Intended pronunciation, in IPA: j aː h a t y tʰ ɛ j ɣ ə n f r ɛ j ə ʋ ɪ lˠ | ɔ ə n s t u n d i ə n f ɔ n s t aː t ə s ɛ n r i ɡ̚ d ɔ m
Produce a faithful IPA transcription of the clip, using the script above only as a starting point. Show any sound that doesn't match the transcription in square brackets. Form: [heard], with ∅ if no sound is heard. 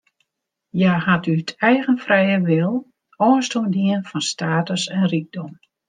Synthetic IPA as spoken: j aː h a t y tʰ ɛ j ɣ ə n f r ɛ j ə ʋ ɪ lˠ | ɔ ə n s t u n d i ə n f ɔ n s t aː t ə s ɛ n r i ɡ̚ d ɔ m